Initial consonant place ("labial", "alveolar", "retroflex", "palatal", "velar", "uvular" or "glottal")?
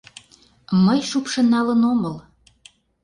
labial